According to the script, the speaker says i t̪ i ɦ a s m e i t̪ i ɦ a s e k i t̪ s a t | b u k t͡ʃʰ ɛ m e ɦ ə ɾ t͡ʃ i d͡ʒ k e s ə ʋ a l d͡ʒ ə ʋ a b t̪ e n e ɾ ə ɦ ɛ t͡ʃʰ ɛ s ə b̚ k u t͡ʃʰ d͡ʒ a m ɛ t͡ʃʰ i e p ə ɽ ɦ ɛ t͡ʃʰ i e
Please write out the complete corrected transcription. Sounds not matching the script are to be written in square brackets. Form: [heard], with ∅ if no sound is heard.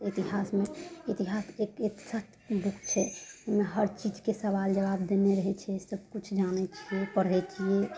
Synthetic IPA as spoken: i t̪ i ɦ a s m e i t̪ i ɦ a s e k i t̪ s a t | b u k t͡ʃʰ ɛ m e ɦ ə ɾ t͡ʃ i d͡ʒ k e s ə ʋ a l d͡ʒ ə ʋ a b [d̪] e n e ɾ ə ɦ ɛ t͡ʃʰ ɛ s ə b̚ k u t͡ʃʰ d͡ʒ a [n] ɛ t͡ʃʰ i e p ə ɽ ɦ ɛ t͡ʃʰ i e

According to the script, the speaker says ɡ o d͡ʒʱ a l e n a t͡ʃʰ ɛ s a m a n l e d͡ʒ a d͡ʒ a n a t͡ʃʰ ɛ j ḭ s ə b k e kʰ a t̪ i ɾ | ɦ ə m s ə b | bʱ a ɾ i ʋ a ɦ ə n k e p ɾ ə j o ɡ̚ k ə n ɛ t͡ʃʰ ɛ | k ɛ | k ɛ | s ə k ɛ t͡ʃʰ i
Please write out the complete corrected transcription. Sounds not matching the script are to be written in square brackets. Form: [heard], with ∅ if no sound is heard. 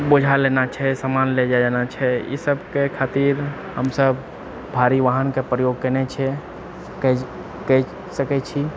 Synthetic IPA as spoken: [b] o d͡ʒʱ a l e n a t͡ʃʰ ɛ s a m a n l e d͡ʒ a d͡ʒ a n a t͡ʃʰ ɛ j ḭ s ə b k e kʰ a t̪ i ɾ | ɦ ə m s ə b | bʱ a ɾ i ʋ a ɦ ə n k e p ɾ ə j o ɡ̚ k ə n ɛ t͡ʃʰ ɛ | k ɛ | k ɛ | s ə k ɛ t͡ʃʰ i

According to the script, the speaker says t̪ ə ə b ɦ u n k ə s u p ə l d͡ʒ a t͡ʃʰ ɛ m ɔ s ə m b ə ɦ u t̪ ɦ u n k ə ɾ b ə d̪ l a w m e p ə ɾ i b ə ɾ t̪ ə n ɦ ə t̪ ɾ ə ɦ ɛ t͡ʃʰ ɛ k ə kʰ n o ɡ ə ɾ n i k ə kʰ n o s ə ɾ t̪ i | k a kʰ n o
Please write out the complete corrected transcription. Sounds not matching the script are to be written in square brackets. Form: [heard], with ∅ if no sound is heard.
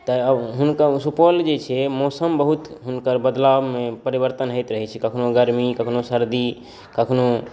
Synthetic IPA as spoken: t̪ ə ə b ɦ u n k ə s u p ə l d͡ʒ [e] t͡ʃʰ ɛ m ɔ s ə m b ə ɦ u t̪ ɦ u n k ə ɾ b ə d̪ l a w m e p ə ɾ i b ə ɾ t̪ ə n ɦ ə t̪ ɾ ə ɦ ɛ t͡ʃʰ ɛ k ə kʰ n o ɡ ə ɾ [m] i k ə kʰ n o s ə ɾ [d̪] i | k [ə] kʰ n o

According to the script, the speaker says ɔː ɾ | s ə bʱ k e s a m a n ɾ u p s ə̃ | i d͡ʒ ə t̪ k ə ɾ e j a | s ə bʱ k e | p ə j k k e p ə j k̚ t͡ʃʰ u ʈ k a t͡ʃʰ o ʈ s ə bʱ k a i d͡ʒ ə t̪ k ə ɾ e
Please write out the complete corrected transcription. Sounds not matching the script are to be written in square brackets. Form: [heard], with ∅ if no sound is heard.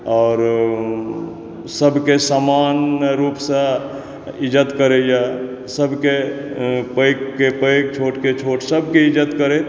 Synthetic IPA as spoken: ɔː ɾ | s ə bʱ k e s a m a n ɾ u p s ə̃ | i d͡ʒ ə t̪ k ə ɾ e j a | s ə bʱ k e | p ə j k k e p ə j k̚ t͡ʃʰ [o] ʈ k [e] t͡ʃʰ o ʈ s ə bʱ k [e] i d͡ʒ ə t̪ k ə ɾ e

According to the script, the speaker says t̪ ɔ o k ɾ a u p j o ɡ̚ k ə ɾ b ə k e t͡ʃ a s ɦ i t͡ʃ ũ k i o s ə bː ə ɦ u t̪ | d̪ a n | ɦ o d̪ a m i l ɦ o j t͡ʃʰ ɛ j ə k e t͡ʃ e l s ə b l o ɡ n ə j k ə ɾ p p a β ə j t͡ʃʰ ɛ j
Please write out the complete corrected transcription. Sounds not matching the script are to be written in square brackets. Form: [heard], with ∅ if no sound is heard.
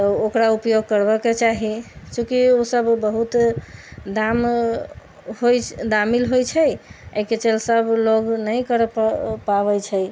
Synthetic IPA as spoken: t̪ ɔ o k ɾ a u p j o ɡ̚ k ə ɾ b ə k e t͡ʃ a [∅] ɦ i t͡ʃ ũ k i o s ə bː ə ɦ u t̪ | d̪ a [m] | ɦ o d̪ a m i l ɦ o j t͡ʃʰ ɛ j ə k e t͡ʃ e l s ə b l o ɡ n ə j k ə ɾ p p a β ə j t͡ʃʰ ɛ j

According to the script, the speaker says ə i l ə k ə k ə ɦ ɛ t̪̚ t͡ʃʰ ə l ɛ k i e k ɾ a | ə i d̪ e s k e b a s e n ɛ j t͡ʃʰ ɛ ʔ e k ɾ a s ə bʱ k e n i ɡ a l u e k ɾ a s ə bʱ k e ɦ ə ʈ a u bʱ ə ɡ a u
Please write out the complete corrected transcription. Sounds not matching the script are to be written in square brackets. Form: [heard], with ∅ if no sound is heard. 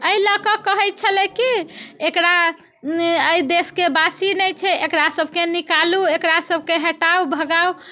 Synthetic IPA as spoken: ə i l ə k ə k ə ɦ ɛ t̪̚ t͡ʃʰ ə l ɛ k i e k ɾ a | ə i d̪ e s k e b a s [i] n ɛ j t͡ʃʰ ɛ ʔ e k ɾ a s ə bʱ k e n i [k] a l u e k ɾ a s ə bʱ k e ɦ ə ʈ a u bʱ ə ɡ a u

